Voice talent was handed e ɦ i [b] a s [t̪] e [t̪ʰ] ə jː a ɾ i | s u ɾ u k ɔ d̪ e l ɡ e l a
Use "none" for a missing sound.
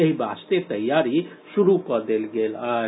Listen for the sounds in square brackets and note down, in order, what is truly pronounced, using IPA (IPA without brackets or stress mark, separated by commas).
b, t̪, t̪